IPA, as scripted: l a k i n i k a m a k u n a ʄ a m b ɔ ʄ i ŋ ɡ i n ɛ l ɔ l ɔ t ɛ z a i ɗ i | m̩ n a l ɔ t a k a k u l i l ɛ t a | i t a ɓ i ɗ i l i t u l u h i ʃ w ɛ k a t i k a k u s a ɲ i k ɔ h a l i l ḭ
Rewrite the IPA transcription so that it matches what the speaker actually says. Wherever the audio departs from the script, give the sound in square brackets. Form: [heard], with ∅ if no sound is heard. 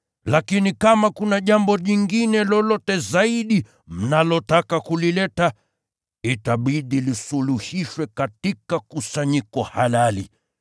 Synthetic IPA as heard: l a k i n i k a m a k u n a ʄ a m b ɔ ʄ i ŋ ɡ i n ɛ l ɔ l ɔ t ɛ z a i ɗ i | m̩ n a l ɔ t a k a k u l i l ɛ t a | i t a ɓ i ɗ i l i [s] u l u h i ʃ w ɛ k a t i k a k u s a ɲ i k ɔ h a l [a] l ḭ